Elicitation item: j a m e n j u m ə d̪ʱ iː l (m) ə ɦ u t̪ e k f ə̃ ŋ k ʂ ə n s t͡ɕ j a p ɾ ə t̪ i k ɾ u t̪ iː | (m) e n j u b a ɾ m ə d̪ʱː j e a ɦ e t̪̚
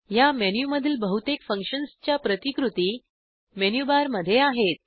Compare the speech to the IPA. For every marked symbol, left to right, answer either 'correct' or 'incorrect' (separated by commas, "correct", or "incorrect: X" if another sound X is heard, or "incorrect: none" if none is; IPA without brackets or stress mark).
incorrect: b, correct